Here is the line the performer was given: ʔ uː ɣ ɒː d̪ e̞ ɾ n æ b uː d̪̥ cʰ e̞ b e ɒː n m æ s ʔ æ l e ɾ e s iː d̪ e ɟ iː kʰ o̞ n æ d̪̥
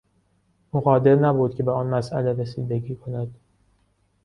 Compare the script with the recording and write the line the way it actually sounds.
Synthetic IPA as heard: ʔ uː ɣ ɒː d̪ e̞ ɾ n æ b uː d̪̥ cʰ e̞ b e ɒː n m æ s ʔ æ l e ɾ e s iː d̪ e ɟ iː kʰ o̞ n æ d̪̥